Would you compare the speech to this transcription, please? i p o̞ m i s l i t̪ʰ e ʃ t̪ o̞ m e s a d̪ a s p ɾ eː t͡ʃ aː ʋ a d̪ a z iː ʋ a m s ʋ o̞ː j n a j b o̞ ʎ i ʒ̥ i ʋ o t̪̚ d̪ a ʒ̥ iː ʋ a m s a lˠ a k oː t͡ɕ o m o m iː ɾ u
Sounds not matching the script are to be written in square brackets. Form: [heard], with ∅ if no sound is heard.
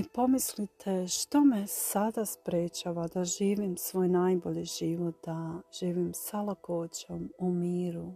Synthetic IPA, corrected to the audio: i p o̞ m i s l i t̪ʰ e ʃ t̪ o̞ m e s a d̪ a s p ɾ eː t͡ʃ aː ʋ a d̪ a [ʒ] iː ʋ [i] m s ʋ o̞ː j n a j b o̞ ʎ i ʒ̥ i ʋ o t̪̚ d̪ a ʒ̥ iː ʋ [i] m s a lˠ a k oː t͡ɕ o m [u] m iː ɾ u